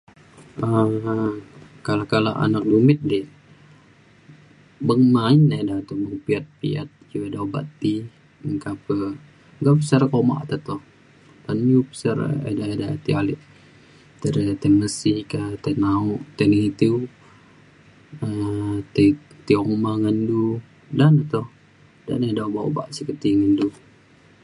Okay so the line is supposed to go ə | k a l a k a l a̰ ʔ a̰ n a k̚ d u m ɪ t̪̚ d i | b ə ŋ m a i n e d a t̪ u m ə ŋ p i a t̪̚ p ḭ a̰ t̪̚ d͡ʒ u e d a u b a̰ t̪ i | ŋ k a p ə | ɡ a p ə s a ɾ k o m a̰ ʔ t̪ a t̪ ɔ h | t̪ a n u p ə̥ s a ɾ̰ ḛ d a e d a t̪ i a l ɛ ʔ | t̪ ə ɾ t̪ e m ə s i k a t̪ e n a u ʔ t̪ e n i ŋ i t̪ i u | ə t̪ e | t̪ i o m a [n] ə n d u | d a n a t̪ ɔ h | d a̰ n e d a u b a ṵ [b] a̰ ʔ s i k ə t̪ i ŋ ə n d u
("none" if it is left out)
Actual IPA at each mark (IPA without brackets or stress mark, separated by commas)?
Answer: ŋ, b